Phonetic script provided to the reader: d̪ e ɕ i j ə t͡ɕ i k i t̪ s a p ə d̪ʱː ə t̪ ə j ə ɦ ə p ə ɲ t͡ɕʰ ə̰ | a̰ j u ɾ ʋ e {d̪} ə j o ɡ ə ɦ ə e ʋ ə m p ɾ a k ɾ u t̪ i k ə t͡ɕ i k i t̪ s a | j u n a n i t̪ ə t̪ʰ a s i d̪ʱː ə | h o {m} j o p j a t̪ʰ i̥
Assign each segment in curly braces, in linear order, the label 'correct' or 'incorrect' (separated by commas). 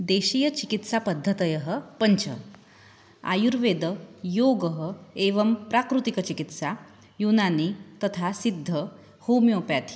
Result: correct, correct